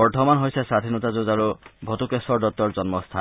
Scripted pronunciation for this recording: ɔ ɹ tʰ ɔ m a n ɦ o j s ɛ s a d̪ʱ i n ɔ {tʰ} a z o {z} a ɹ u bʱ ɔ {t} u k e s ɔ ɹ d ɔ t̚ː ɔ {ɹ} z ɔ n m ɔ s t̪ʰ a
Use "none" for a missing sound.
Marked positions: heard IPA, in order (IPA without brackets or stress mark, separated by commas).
t, z, t, ɹ